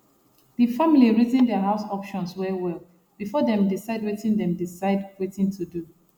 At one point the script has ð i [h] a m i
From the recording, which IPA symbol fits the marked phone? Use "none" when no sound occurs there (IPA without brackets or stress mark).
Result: f